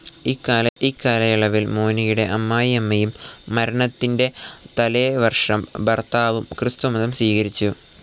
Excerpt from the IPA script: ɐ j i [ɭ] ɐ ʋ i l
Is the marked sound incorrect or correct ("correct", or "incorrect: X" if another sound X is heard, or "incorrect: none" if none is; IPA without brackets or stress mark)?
correct